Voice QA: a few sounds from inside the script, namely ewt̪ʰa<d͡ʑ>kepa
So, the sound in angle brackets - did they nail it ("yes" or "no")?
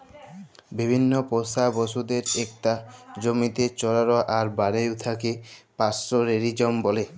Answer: no